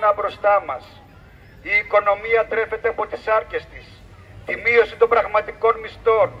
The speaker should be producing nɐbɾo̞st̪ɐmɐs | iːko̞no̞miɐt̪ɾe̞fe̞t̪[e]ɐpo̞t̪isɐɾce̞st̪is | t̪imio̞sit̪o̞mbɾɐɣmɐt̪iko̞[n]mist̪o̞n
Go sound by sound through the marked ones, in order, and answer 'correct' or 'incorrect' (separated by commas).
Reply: correct, correct